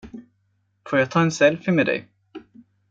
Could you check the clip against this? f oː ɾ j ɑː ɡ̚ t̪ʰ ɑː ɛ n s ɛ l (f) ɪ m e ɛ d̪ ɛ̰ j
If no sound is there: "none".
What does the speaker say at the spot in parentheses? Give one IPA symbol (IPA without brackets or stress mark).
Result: f